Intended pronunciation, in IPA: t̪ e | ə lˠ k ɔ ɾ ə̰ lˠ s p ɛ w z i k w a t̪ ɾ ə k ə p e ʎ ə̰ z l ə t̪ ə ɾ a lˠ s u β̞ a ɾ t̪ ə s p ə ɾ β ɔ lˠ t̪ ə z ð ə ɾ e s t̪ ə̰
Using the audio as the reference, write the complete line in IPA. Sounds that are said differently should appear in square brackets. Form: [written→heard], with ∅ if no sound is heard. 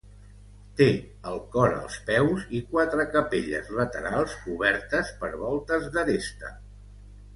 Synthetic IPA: t̪ e | ə lˠ k ɔ ɾ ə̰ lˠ s p ɛ w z i k w a t̪ ɾ ə k ə p e ʎ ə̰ z l ə t̪ ə ɾ a lˠ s u β̞ [a→ɛ] ɾ t̪ ə s p ə ɾ β ɔ lˠ t̪ ə z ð ə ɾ e s t̪ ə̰